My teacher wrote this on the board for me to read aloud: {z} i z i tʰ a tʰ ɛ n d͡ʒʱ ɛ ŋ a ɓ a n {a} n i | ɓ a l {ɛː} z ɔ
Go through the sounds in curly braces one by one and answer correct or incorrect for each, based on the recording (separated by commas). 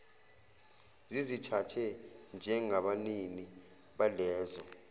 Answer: correct, incorrect, correct